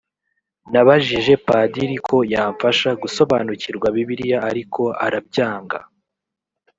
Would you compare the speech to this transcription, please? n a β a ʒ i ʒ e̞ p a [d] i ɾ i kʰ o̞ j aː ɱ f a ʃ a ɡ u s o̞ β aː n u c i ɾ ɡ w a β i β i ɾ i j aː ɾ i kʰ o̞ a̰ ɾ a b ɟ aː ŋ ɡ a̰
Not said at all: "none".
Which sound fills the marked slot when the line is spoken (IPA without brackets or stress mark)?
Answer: d